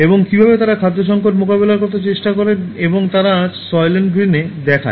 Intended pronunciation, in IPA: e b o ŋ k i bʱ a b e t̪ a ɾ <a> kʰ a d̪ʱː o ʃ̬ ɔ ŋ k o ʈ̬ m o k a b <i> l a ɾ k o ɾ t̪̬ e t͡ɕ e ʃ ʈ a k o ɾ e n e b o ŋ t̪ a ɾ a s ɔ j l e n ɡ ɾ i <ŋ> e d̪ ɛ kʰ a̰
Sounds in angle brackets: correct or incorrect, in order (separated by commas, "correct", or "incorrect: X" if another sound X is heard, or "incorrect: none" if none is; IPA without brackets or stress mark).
correct, incorrect: e, incorrect: n